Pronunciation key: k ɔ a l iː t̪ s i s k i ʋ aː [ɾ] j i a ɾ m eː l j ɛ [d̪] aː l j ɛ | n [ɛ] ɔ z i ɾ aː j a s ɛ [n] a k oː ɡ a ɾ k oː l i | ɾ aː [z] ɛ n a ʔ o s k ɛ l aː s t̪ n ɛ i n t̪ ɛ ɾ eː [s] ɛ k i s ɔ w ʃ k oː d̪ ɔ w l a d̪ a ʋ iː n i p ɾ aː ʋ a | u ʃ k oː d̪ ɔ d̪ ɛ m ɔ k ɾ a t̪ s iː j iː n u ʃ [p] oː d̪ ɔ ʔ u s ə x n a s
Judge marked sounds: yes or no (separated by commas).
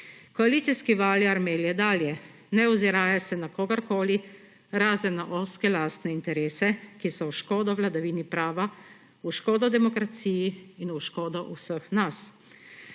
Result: no, yes, yes, yes, yes, yes, no